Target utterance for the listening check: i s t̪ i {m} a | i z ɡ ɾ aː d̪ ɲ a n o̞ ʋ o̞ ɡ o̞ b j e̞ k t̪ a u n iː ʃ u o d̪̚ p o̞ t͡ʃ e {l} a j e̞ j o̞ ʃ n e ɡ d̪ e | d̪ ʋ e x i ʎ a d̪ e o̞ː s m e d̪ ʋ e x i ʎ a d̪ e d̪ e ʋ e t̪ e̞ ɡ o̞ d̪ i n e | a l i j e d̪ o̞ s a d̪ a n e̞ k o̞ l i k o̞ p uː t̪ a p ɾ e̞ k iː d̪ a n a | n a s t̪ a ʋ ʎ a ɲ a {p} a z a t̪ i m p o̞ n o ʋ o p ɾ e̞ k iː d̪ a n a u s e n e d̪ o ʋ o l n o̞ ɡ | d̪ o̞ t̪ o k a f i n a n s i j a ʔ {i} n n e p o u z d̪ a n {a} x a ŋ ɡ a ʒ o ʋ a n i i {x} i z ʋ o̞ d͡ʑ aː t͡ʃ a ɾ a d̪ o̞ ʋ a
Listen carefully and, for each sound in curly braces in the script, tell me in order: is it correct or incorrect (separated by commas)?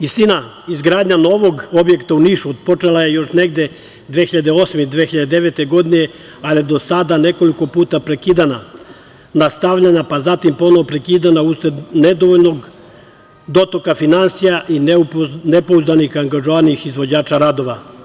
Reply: incorrect, correct, correct, correct, incorrect, correct